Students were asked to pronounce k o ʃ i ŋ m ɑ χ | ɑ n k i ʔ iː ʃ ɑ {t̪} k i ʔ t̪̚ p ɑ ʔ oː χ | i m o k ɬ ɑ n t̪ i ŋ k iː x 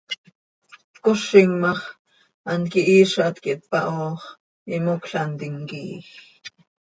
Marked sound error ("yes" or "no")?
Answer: no